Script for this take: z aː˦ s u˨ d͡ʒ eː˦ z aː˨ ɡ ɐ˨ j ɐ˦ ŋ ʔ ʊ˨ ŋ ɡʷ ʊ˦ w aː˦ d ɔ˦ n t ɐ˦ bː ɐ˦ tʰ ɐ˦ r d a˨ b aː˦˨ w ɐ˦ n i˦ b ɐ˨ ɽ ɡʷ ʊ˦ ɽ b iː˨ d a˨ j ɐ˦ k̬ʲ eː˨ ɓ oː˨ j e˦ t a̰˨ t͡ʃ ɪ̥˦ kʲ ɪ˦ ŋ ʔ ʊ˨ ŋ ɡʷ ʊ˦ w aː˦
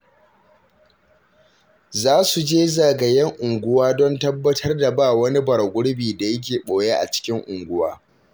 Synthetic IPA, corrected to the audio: z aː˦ s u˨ d͡ʒ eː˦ z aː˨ ɡ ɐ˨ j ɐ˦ ŋ ʔ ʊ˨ ŋ ɡʷ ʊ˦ w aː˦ d ɔ˦ n t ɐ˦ bː ɐ˦ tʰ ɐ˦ r d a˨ b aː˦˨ w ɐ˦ n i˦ b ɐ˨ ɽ ɡʷ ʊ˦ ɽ b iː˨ d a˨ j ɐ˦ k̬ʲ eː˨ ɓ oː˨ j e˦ ʔ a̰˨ t͡ʃ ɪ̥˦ kʲ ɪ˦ ŋ ʔ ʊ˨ ŋ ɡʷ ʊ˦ w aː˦